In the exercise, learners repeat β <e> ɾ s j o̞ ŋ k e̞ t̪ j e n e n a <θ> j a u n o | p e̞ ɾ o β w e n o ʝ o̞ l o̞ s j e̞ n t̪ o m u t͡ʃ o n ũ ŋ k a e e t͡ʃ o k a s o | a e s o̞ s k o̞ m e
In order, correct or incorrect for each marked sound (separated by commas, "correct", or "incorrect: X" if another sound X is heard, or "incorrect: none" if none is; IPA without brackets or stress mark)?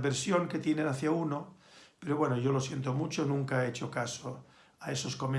correct, correct